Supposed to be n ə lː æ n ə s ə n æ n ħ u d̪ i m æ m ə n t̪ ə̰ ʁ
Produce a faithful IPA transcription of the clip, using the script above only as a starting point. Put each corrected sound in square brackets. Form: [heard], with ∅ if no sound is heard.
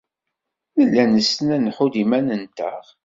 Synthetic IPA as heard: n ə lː æ n ə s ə n æ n ħ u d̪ i m æ [n] ə n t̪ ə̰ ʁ